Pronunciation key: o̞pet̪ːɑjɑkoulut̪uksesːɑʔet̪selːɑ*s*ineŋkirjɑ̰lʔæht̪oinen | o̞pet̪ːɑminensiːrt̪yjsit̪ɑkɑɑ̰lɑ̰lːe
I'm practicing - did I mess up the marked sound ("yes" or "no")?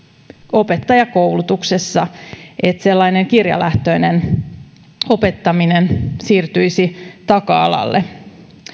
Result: yes